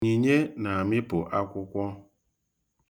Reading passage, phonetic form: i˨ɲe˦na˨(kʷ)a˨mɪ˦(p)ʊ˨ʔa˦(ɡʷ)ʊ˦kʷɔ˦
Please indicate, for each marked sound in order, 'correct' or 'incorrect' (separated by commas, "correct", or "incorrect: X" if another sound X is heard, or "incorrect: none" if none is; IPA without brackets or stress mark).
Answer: incorrect: none, correct, incorrect: kʷ